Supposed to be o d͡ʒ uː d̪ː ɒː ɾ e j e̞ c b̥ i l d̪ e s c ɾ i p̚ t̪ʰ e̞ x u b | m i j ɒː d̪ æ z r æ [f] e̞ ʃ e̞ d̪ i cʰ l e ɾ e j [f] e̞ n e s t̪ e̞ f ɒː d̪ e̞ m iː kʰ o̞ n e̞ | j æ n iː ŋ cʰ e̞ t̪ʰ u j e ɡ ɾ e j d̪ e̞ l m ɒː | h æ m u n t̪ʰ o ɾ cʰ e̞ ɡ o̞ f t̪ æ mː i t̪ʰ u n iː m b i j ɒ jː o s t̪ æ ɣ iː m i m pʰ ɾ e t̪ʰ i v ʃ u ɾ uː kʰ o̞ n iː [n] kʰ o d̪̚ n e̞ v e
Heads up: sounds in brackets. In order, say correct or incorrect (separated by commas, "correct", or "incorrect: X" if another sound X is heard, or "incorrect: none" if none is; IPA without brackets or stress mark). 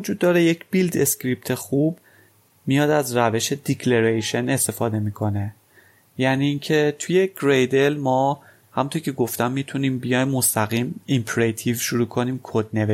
incorrect: v, incorrect: ʃ, incorrect: m